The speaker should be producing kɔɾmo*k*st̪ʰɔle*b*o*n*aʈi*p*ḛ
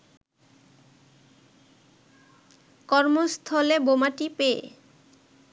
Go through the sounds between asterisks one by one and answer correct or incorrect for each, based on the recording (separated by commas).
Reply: incorrect, correct, incorrect, correct